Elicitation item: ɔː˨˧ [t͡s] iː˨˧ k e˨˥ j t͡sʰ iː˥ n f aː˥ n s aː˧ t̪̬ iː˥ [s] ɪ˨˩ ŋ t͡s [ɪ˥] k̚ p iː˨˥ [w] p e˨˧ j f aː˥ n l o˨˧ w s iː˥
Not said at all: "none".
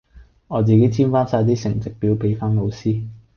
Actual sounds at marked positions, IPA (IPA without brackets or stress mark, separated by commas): t͡s, s, ɪ˨, w